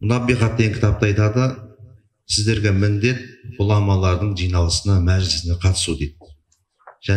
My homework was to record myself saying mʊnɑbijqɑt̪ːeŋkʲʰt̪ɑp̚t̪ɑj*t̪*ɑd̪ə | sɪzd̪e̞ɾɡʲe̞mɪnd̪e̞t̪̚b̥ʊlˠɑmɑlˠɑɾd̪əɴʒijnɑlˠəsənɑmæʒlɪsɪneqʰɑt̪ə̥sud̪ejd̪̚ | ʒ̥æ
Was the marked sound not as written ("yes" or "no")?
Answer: no